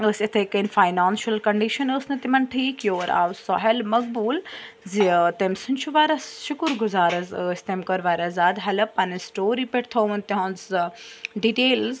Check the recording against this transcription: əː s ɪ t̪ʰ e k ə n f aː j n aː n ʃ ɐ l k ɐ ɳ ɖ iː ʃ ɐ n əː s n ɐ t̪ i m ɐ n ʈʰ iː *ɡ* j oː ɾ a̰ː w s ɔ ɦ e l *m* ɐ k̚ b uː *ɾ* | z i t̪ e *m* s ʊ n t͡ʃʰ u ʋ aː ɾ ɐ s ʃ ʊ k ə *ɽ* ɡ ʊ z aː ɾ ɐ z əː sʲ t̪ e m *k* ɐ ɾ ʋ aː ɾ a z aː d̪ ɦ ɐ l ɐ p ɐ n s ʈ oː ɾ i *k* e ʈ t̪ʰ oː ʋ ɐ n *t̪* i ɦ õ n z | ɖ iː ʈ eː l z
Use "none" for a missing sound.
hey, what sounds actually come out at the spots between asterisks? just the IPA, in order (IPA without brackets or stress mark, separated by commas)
k, m, l, m, ɾ, k, p, t̪